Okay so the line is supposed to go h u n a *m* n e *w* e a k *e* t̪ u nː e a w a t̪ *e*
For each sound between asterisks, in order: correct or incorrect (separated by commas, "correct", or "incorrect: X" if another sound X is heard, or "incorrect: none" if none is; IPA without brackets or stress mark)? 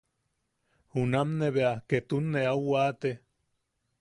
correct, incorrect: β, correct, correct